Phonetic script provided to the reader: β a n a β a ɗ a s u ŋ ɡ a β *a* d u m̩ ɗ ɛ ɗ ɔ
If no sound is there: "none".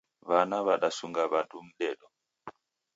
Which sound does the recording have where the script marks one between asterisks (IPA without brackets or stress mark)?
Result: a